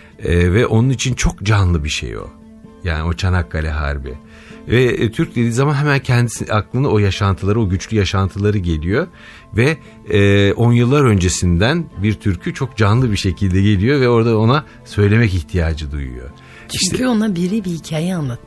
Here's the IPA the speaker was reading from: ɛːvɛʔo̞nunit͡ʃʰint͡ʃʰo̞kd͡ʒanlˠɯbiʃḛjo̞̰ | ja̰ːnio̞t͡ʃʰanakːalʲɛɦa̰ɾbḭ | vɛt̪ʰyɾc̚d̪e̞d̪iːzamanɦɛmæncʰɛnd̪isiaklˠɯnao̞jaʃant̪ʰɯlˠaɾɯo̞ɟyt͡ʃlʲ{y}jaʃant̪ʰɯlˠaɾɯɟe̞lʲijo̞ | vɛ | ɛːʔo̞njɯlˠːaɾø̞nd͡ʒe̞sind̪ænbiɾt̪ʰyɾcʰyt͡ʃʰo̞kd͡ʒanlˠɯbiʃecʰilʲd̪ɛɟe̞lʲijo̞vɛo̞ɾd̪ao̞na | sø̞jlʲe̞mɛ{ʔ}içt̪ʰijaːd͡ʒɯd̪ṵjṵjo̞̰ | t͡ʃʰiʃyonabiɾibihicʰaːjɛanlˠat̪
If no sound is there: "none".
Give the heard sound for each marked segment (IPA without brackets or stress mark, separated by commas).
y, c